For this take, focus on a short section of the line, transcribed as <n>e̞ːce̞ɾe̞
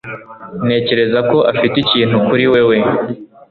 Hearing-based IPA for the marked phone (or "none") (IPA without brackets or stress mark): n